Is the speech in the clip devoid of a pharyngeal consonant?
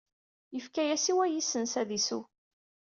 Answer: yes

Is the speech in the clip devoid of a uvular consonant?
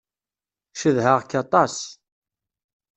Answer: no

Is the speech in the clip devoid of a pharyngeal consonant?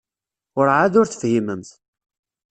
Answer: no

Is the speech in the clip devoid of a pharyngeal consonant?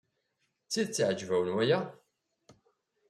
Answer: no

